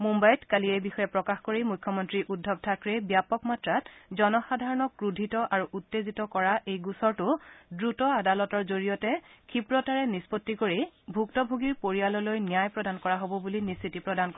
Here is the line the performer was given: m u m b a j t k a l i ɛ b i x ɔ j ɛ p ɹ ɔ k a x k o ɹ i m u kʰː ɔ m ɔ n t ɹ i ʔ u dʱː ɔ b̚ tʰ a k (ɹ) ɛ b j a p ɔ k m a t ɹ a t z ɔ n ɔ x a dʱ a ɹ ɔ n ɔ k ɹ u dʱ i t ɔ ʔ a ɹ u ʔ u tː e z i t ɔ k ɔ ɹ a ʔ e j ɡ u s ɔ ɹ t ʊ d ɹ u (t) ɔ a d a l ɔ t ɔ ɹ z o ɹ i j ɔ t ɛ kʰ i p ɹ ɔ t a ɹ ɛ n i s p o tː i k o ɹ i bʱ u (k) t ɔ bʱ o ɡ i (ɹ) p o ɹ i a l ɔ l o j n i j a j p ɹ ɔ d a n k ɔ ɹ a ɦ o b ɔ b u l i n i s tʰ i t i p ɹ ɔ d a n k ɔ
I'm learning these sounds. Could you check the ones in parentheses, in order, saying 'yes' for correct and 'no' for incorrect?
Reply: yes, yes, yes, yes

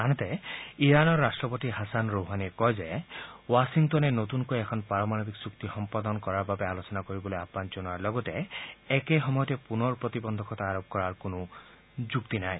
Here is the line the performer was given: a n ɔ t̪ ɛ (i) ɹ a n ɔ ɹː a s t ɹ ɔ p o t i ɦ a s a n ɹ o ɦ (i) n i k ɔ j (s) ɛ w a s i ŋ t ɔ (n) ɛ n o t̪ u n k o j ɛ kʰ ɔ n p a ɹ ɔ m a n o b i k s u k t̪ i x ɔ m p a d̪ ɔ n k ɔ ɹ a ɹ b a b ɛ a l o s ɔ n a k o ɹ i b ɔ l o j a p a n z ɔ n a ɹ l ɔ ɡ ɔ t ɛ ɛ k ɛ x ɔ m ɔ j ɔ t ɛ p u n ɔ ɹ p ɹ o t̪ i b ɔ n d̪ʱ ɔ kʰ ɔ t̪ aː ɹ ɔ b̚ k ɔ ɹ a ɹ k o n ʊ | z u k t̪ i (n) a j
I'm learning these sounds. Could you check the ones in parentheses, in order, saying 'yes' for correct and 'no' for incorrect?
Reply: yes, no, no, yes, yes

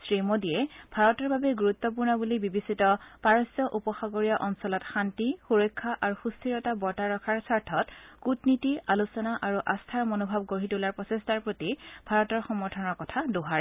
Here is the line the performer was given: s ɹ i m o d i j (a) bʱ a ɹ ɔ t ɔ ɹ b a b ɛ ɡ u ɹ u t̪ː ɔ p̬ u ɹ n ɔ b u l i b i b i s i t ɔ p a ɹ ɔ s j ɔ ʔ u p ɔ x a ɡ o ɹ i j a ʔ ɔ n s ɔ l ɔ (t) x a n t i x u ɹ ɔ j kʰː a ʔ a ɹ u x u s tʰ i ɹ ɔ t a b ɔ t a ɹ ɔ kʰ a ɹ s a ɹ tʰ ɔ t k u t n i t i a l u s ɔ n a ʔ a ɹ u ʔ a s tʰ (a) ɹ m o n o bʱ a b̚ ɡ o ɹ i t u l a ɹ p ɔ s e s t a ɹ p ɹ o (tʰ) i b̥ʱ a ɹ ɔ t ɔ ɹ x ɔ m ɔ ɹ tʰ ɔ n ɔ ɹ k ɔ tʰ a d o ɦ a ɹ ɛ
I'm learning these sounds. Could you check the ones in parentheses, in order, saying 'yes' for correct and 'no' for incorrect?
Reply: no, yes, yes, no

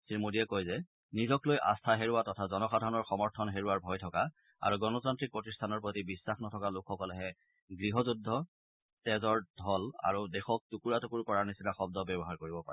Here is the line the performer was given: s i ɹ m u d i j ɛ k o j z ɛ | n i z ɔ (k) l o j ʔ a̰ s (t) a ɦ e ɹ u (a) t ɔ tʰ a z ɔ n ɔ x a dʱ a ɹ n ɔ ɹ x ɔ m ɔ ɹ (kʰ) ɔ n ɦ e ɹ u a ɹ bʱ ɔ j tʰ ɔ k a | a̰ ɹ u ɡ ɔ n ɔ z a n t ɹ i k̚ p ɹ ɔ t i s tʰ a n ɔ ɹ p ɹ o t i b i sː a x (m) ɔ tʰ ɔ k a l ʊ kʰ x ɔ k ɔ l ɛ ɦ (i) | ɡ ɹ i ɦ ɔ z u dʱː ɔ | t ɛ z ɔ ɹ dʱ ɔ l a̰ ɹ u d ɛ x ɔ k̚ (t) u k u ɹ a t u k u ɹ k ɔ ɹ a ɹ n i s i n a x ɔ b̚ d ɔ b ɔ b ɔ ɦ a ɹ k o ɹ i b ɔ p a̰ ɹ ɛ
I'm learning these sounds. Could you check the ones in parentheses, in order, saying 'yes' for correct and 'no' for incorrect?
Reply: yes, no, yes, no, no, no, yes

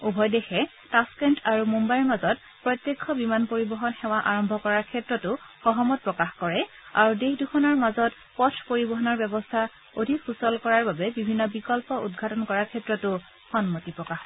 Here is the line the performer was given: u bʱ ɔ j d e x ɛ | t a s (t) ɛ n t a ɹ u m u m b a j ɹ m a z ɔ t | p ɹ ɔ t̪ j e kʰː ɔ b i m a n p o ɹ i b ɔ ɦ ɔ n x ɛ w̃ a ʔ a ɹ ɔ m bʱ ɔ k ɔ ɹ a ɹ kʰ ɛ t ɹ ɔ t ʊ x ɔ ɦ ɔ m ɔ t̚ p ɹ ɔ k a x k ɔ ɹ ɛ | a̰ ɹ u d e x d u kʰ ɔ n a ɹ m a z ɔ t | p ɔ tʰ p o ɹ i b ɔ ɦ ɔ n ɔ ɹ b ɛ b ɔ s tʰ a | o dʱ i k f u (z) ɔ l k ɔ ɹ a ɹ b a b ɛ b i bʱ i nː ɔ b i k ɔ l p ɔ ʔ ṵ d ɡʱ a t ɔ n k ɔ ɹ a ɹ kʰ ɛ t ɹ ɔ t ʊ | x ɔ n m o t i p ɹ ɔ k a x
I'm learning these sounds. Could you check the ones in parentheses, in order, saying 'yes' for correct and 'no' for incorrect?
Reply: no, no

